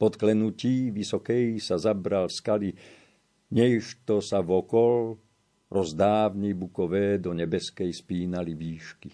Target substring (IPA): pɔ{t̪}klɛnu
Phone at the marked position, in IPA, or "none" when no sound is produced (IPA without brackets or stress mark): t̪